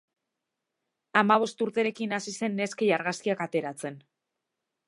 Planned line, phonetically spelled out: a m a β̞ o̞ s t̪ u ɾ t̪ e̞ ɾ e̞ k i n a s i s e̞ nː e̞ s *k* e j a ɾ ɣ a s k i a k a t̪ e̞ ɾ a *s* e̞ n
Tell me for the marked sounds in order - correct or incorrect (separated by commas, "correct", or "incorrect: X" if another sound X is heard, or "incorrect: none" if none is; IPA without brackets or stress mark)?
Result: correct, incorrect: t͡s